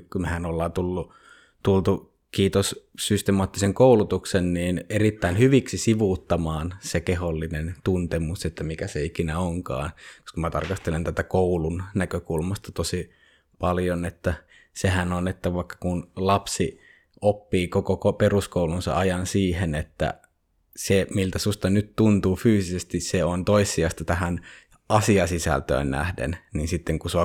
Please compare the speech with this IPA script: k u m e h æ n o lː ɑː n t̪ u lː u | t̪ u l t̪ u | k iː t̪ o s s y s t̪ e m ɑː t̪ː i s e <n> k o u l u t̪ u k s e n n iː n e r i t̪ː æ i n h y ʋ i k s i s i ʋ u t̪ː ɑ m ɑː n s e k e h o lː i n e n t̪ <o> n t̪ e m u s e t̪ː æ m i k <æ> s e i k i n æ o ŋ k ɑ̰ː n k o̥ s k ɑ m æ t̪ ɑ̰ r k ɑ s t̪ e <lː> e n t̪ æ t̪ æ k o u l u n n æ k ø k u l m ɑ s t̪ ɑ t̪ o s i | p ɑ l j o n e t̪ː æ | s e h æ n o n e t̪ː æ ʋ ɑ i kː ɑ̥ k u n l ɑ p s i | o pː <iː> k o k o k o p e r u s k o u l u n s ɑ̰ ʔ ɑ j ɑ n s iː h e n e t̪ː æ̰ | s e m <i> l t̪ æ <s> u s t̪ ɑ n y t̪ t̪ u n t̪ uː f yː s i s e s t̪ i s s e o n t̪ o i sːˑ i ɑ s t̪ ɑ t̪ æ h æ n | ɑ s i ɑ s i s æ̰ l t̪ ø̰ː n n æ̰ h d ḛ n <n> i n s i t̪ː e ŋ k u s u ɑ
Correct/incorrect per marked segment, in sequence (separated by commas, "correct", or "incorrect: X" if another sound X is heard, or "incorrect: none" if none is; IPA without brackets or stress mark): incorrect: ŋ, incorrect: u, correct, incorrect: l, correct, correct, correct, correct